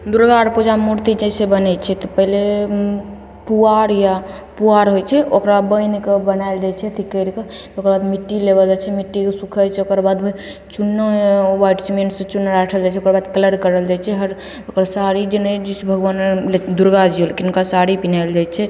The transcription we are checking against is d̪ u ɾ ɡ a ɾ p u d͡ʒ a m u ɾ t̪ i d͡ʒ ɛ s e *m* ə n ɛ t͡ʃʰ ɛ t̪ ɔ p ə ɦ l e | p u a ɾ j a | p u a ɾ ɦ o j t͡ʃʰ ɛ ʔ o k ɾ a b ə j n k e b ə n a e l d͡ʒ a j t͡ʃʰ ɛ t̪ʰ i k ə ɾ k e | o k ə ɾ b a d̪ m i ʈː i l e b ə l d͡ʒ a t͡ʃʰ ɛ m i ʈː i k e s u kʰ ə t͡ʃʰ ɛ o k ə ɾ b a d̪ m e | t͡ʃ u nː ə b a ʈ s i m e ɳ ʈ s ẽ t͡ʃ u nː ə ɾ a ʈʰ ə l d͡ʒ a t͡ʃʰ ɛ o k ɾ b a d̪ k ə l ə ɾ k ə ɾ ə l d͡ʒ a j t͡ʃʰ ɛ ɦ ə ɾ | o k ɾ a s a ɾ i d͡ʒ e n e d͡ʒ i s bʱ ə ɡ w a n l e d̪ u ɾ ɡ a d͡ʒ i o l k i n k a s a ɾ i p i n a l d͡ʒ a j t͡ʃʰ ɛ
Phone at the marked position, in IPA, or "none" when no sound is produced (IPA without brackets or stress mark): b